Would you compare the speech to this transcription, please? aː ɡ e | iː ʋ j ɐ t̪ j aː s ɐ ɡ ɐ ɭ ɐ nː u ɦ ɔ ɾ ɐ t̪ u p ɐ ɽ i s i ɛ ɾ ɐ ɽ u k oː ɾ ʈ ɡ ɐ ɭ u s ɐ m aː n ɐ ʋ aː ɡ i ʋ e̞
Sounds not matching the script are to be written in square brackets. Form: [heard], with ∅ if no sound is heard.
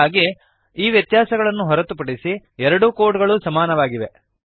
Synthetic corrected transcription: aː ɡ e | iː ʋ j ɐ t̪ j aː s ɐ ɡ ɐ ɭ ɐ nː u ɦ ɔ ɾ ɐ t̪ u p ɐ ɽ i s i ɛ ɾ ɐ ɽ u k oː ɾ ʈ ɡ ɐ ɭ u s ɐ m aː n ɐ ʋ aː ɡ i ʋ e̞